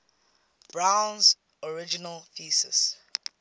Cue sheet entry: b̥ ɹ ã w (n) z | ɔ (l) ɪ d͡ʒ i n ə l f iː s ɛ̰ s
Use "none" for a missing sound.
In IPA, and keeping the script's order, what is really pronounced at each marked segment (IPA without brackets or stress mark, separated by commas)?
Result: n, ɹ